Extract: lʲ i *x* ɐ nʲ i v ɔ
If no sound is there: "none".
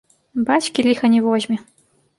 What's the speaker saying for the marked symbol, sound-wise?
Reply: x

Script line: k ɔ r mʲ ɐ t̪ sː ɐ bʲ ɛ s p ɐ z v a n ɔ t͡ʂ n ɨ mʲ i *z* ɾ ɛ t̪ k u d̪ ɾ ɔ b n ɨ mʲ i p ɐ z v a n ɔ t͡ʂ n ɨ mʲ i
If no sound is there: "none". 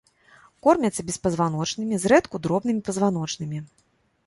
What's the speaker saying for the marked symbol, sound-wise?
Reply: z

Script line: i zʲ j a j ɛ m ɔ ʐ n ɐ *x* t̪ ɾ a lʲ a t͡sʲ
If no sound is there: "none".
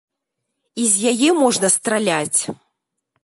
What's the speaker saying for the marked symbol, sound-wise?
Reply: s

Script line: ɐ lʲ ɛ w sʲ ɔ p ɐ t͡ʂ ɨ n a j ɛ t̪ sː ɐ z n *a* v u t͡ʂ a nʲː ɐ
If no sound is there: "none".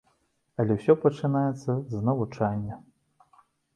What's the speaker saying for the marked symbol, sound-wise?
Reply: ɐ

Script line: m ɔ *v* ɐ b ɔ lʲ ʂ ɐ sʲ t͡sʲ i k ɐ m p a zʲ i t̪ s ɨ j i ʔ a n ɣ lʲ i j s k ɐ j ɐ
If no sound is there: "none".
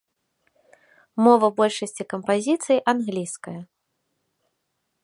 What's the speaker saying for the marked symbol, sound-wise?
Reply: v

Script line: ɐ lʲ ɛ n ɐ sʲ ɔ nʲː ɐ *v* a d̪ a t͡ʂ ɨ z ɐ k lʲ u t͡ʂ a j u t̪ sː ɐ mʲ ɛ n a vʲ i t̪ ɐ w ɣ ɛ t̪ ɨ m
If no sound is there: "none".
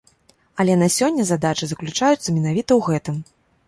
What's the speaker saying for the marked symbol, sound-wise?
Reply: z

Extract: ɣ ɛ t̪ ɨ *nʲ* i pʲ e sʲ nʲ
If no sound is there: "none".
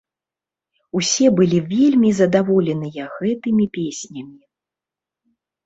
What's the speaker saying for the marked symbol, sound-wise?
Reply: mʲ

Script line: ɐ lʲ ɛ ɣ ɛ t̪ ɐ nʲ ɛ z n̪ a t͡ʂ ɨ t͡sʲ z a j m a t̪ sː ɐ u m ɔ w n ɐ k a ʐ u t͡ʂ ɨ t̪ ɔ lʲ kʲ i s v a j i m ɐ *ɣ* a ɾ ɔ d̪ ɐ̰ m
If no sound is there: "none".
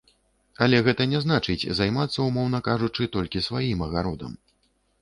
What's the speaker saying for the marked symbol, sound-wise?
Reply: ɣ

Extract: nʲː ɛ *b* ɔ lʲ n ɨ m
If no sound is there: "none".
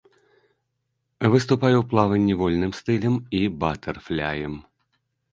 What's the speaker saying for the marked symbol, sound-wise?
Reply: v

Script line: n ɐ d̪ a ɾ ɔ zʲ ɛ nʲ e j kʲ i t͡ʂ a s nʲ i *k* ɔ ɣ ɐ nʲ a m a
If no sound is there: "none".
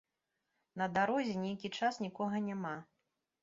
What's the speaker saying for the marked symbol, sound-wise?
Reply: k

